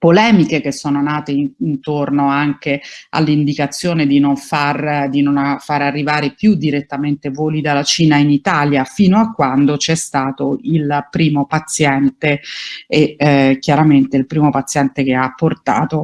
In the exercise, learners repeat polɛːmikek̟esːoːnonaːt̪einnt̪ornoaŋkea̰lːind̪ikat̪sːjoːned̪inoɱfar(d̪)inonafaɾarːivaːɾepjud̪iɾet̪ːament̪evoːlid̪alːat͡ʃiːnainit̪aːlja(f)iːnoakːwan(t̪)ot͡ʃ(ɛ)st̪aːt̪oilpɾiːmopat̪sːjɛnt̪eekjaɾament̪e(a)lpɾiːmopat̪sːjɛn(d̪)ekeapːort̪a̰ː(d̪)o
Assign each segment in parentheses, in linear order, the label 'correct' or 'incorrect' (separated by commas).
correct, correct, incorrect, correct, incorrect, incorrect, incorrect